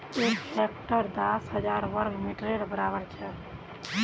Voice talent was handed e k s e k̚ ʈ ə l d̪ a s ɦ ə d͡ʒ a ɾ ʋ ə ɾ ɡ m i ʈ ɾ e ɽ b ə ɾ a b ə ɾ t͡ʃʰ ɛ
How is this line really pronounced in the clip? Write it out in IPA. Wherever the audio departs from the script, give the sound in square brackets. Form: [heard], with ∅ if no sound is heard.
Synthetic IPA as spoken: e k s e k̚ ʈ ə [ɾ] d̪ a s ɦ ə d͡ʒ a ɾ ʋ ə ɾ ɡ m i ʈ ɾ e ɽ b ə ɾ a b ə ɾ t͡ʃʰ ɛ